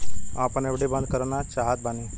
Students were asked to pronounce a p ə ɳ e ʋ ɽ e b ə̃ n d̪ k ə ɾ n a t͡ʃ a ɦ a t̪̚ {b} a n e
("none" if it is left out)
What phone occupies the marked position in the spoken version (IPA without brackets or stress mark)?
b